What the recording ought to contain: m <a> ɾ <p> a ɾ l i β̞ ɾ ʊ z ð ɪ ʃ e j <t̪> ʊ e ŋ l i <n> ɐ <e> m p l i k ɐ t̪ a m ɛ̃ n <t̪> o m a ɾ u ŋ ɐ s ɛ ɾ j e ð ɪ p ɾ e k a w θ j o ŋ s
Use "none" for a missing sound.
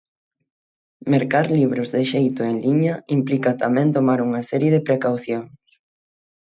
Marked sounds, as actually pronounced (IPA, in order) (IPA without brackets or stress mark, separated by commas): e, k, t̪, ɲ, i, t̪